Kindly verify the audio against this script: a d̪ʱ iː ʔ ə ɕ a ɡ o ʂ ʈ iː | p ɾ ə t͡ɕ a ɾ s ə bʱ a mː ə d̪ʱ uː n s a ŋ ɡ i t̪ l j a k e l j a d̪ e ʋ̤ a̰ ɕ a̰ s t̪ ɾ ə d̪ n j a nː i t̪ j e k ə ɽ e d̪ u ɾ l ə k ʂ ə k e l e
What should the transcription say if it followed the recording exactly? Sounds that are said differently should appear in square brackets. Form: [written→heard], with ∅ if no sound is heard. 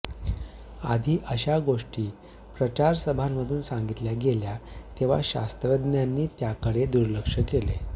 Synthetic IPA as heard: a d̪ʱ iː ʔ ə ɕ a ɡ o ʂ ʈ iː | p ɾ ə t͡ɕ a ɾ s ə bʱ a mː ə d̪ʱ uː n s a ŋ ɡ i t̪ l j a [k→ɡ] e l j a [d̪→t̪] e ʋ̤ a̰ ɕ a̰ s t̪ ɾ ə d̪ n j a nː [i→iː] t̪ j [e→a] k ə ɽ e d̪ u ɾ l ə k ʂ ə k e l e

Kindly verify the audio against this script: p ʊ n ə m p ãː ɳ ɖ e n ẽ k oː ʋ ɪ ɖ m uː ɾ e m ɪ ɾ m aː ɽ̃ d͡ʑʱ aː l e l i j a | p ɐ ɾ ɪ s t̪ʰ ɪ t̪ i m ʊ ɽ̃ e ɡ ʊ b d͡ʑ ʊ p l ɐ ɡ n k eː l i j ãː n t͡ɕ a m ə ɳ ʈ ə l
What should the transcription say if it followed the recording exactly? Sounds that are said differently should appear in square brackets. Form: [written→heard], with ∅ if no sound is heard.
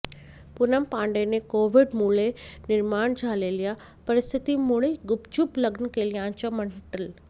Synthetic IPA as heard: p ʊ n ə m p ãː ɳ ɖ e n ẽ k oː ʋ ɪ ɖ m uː [ɾ→l] e [m→n] ɪ ɾ m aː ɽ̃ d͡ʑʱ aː l e l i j a | p ɐ ɾ ɪ s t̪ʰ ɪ t̪ i m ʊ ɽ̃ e ɡ ʊ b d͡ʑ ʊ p l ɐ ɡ n k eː l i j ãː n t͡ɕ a m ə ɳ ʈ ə l

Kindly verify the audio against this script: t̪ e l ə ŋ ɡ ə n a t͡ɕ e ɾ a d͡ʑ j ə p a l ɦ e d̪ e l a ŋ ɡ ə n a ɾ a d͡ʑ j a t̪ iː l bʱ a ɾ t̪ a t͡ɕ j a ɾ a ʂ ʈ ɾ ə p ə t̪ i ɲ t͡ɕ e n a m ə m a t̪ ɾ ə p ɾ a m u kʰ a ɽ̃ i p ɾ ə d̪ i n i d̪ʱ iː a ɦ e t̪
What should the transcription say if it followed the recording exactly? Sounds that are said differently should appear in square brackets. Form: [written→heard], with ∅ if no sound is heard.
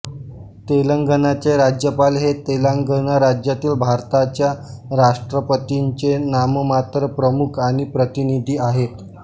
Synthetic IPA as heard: t̪ e l ə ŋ ɡ ə n a t͡ɕ e ɾ a d͡ʑ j ə p a l ɦ e [d̪→t̪] e l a ŋ ɡ ə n a ɾ a d͡ʑ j a t̪ iː l bʱ a ɾ t̪ a t͡ɕ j a ɾ a ʂ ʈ ɾ ə p ə t̪ i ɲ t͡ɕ e n a m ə m a t̪ ɾ ə p ɾ [a→ə] m u kʰ a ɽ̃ i p ɾ ə [d̪→t̪] i n i d̪ʱ iː a ɦ e t̪

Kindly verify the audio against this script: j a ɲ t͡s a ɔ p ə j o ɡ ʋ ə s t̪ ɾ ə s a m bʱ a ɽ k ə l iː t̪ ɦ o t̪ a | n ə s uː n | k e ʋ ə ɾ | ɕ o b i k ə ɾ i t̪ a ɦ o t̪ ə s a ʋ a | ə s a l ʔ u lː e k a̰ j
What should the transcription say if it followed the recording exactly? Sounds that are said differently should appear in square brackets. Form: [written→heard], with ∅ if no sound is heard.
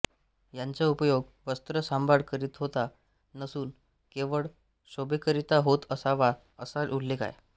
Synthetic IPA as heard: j a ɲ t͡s a [ɔ→u] p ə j o ɡ ʋ ə s t̪ ɾ ə s a m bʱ a ɽ k ə [l→ɾ] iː t̪ ɦ o t̪ a | n ə s uː n | k e ʋ ə [ɾ→ɭ] | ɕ o b [i→e] k ə ɾ i t̪ a ɦ o t̪ ə s a ʋ a | ə s a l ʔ u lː e k a̰ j

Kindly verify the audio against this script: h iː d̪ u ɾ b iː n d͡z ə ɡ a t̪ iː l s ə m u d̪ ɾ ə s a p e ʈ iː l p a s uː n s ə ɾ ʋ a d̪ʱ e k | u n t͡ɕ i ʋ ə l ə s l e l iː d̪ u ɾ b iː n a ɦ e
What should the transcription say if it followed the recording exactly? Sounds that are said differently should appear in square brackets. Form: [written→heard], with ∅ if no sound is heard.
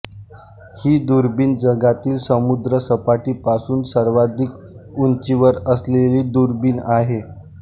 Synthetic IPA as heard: h iː d̪ u ɾ b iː n d͡z ə ɡ a t̪ iː l s ə m u d̪ ɾ ə s [a→ə] p [e→a] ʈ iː [l→∅] p a s uː n s ə ɾ ʋ a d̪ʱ [e→i] k | u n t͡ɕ i ʋ ə [l→ɾ] ə s l e l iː d̪ u ɾ b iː n a ɦ e

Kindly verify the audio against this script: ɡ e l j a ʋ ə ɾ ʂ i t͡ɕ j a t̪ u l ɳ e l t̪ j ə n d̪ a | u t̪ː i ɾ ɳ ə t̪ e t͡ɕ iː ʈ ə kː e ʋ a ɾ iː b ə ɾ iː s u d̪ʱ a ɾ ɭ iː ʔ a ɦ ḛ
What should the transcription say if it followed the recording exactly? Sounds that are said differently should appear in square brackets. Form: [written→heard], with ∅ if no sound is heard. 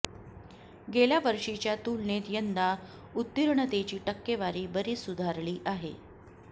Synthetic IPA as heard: ɡ e l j a ʋ ə ɾ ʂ i t͡ɕ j a t̪ u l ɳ e [l→∅] t̪ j ə n d̪ a | u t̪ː i ɾ ɳ ə t̪ e t͡ɕ iː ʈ ə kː e ʋ a ɾ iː b ə ɾ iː s u d̪ʱ a ɾ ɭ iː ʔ a ɦ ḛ

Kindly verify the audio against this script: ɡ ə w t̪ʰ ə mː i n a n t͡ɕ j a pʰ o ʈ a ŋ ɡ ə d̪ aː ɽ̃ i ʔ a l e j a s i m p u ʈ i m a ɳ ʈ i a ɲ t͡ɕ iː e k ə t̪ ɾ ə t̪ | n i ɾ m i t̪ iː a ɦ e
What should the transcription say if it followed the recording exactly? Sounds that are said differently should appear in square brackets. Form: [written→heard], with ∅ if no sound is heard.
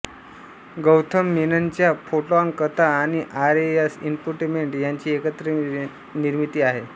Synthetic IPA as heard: ɡ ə w t̪ʰ ə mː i n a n t͡ɕ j a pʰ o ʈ a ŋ [ɡ→k] ə [d̪→t̪] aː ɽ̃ i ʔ a [l→ɾ] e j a s i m p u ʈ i m [a→e] ɳ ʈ [i→j] a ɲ t͡ɕ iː e k ə t̪ ɾ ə [t̪→∅] | n i ɾ m i t̪ iː a ɦ e

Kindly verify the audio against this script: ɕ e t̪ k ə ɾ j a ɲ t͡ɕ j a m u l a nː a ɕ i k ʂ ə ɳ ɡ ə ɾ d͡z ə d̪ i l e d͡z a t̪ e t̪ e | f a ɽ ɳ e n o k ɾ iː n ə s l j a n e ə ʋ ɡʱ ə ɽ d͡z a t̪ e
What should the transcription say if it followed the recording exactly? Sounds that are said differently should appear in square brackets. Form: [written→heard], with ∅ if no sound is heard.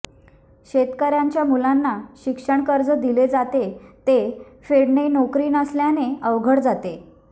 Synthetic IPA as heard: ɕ e t̪ k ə ɾ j a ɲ t͡ɕ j a m u l a nː a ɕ i k ʂ ə ɳ [ɡ→k] ə ɾ d͡z ə d̪ i l e d͡z a t̪ e t̪ e | f [a→e] ɽ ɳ e n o k ɾ iː n ə s l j a n e ə ʋ ɡʱ ə ɽ d͡z a t̪ e

